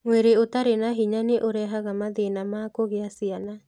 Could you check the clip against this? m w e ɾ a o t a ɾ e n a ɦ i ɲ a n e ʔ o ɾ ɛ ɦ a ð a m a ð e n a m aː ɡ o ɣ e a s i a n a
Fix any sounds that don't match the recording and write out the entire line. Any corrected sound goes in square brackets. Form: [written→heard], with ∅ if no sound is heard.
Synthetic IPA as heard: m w e ɾ [a→e] o t a ɾ e n a ɦ i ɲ a n e ʔ o ɾ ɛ ɦ a [ð→ɣ] a m a ð e n a m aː [ɡ→k] o ɣ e a s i a n a